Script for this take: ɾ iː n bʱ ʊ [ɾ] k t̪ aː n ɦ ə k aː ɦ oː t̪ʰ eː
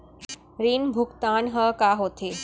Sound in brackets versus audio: incorrect: none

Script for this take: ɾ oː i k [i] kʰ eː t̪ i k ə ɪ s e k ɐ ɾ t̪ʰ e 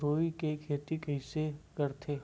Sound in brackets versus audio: incorrect: e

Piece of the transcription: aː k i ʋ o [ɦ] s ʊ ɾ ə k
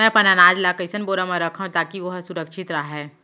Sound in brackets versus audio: correct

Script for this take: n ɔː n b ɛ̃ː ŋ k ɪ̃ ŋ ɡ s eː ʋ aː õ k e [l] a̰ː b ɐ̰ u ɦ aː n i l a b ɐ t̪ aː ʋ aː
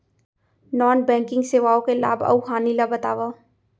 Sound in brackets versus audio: correct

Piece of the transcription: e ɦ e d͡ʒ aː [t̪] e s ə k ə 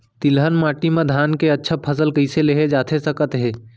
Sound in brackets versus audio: incorrect: t̪ʰ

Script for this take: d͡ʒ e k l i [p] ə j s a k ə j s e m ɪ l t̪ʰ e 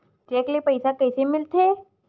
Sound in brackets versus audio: correct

